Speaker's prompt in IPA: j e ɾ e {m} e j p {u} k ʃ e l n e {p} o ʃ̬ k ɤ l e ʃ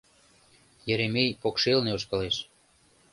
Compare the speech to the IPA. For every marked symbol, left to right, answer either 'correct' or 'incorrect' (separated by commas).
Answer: correct, incorrect, incorrect